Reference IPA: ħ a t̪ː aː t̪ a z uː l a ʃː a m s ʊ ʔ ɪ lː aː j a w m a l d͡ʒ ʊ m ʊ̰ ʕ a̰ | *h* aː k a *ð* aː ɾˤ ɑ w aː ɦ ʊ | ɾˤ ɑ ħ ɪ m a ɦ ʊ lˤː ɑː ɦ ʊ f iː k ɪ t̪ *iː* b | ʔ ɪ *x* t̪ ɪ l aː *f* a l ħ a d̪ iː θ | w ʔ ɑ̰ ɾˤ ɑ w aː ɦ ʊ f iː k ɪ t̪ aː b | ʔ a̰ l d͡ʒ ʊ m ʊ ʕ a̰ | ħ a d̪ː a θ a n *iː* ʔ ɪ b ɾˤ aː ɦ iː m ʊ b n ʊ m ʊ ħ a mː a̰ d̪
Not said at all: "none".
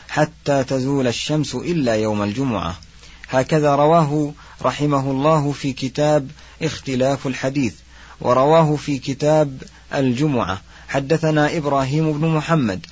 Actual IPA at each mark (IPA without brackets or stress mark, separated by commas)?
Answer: h, ð, aː, x, f, aː